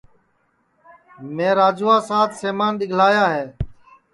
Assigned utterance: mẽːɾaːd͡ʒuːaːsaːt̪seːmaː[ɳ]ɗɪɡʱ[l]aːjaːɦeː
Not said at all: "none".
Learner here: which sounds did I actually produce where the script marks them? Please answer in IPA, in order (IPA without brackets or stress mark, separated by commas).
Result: n, l